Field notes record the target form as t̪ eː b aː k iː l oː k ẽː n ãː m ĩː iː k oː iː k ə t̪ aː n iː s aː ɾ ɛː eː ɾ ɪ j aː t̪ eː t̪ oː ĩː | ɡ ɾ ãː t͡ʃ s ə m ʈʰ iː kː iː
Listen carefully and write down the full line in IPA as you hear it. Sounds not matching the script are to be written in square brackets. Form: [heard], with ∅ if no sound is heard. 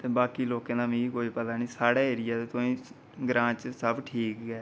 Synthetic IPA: t̪ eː b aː k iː l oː k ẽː n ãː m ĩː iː k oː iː [p] ə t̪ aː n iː s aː [ɽ] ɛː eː ɾ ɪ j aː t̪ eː t̪ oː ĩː | ɡ ɾ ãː t͡ʃ s ə [b] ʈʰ iː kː [ɛː]

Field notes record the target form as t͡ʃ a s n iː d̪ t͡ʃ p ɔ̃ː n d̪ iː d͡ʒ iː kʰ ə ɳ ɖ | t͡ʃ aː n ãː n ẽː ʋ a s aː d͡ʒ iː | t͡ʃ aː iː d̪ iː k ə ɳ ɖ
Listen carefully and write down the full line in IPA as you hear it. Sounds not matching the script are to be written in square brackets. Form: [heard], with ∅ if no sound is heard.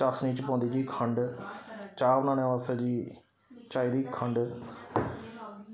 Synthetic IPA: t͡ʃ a s n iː [∅] t͡ʃ p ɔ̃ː n d̪ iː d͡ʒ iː kʰ ə ɳ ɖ | t͡ʃ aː n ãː n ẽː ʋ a s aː d͡ʒ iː | t͡ʃ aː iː d̪ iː [kʰ] ə ɳ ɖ

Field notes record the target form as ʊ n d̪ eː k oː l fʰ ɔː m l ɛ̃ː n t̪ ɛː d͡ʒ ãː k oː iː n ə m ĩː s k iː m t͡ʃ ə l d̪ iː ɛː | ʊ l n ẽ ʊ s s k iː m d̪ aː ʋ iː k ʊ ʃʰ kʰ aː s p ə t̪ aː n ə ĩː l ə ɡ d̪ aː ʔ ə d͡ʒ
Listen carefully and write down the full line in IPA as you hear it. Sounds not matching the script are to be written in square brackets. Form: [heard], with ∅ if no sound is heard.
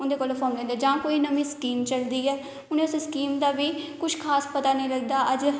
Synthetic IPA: ʊ n d̪ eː k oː l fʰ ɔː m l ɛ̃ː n [d̪] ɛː d͡ʒ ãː k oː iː n ə m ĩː s k iː m t͡ʃ ə l d̪ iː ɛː | ʊ [∅] n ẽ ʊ s s k iː m d̪ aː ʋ iː k ʊ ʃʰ kʰ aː s p ə t̪ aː n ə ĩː l ə ɡ d̪ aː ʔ ə d͡ʒ

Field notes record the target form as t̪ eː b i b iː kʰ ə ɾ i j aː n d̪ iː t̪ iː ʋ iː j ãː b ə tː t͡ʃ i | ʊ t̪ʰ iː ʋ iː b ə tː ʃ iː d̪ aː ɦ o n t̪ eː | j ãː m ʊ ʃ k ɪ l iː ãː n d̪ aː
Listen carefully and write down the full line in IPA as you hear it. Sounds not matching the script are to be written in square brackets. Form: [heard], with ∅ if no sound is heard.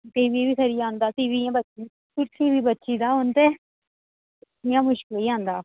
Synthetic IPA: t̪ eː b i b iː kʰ ə ɾ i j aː n d̪ [aː] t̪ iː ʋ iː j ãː b ə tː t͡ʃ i | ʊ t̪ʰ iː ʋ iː b ə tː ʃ iː d̪ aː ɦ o n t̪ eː | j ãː m ʊ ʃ k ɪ l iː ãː n d̪ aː

